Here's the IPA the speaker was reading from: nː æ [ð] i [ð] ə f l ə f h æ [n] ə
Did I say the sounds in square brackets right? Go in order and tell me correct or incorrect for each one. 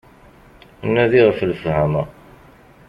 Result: correct, incorrect: ʁ, incorrect: m

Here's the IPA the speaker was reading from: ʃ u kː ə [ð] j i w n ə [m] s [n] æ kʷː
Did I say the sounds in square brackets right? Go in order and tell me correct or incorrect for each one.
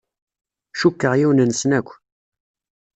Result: incorrect: ʁ, incorrect: n, correct

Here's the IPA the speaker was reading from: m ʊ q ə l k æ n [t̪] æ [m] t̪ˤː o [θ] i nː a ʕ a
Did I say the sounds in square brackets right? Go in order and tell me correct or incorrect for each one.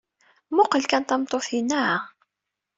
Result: correct, correct, correct

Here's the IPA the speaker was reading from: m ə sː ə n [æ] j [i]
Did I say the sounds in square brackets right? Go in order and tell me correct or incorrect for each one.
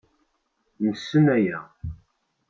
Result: correct, incorrect: æ

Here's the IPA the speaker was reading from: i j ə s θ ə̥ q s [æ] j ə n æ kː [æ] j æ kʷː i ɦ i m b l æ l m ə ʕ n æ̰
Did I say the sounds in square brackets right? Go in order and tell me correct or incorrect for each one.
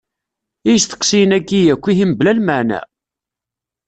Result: incorrect: i, incorrect: i

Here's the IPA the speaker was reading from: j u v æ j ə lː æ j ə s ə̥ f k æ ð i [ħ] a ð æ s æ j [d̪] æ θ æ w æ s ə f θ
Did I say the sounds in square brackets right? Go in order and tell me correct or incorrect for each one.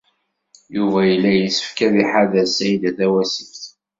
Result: correct, correct

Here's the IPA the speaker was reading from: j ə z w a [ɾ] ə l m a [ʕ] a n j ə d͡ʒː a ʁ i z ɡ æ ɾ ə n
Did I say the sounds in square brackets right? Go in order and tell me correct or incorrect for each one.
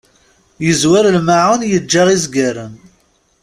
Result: correct, correct

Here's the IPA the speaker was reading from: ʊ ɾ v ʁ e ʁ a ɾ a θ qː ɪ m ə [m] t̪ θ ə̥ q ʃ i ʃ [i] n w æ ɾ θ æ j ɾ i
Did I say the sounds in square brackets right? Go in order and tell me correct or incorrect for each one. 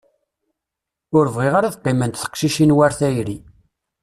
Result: incorrect: n, correct

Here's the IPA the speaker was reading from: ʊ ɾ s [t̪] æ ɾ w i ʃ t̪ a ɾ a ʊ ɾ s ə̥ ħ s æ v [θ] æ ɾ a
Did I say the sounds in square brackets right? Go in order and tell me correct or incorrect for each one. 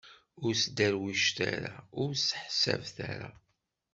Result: incorrect: d̪, correct

